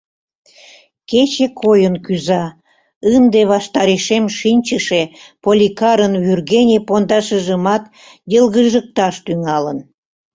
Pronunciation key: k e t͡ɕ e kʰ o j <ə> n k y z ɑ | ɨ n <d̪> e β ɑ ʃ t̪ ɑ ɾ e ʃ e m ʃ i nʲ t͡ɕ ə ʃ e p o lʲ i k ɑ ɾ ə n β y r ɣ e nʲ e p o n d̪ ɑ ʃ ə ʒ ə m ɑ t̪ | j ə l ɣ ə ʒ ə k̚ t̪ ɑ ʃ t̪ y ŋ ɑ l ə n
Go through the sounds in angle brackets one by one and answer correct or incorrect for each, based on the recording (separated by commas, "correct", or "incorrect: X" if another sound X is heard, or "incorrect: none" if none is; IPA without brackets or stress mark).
correct, correct